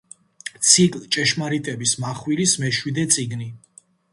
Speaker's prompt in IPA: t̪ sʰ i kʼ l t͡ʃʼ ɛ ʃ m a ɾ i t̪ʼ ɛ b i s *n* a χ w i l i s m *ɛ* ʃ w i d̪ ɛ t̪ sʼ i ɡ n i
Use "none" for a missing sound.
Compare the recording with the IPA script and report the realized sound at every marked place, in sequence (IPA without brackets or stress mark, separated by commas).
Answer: m, ɛ